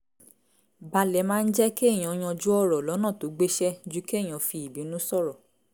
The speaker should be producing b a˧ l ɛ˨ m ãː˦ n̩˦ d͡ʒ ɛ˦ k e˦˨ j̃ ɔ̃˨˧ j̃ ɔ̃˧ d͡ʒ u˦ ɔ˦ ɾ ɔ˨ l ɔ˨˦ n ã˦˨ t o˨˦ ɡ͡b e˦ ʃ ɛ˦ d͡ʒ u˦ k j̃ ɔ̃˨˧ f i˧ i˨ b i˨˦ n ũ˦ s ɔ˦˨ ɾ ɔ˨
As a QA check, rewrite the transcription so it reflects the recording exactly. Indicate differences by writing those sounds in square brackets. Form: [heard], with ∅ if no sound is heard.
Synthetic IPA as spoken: b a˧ l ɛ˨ m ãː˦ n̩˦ d͡ʒ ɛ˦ k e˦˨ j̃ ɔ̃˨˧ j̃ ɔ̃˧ d͡ʒ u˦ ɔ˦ ɾ ɔ˨ l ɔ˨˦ n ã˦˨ t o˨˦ ɡ͡b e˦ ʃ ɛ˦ d͡ʒ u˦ k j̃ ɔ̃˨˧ f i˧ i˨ b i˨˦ n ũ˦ s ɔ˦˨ ɾ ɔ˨